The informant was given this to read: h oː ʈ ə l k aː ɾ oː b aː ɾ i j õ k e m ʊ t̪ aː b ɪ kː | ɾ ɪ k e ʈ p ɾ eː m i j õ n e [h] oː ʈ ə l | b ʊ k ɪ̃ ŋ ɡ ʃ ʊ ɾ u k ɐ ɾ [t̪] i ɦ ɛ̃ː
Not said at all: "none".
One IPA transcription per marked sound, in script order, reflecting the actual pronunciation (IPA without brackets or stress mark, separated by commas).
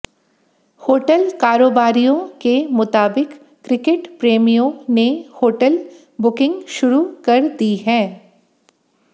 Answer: h, d̪